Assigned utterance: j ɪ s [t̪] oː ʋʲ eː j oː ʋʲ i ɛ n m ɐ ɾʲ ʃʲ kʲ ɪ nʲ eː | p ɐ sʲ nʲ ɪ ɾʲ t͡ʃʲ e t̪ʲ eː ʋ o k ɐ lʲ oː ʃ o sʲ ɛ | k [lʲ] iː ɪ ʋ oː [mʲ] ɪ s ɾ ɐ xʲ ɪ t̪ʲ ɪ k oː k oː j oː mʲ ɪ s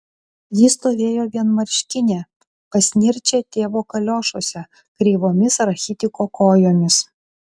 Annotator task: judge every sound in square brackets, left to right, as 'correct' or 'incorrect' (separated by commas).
correct, incorrect, correct